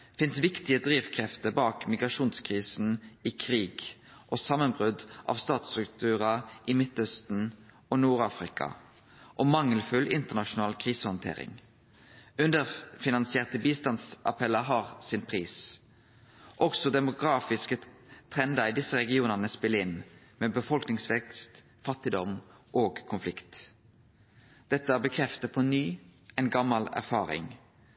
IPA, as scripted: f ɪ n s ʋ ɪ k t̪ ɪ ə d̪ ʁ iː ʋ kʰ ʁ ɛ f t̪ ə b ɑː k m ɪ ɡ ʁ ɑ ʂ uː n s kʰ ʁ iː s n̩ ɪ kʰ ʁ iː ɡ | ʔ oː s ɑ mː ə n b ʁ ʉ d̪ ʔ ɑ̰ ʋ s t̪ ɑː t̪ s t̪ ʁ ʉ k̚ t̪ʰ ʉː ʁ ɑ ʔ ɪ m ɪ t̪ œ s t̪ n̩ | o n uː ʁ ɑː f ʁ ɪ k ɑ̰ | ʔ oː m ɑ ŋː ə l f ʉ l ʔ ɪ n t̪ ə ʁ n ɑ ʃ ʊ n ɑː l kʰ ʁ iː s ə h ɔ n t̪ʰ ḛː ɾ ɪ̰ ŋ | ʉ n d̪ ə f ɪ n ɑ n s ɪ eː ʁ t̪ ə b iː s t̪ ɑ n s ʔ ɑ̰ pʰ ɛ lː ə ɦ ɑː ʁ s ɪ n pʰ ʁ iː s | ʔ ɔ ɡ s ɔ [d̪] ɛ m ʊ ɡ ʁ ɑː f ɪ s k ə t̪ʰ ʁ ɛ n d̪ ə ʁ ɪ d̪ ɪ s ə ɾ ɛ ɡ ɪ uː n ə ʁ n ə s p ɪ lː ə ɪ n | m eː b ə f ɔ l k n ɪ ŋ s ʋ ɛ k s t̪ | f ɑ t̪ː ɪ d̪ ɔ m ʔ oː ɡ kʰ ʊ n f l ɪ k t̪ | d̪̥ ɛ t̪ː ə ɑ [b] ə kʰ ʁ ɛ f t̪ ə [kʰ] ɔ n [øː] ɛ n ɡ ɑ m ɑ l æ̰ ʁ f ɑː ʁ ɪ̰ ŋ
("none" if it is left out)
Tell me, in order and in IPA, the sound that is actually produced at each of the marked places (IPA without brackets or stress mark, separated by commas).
d̪, b, pʰ, yː